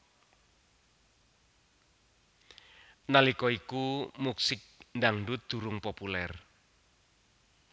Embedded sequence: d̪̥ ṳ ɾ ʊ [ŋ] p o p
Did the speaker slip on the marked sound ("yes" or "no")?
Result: no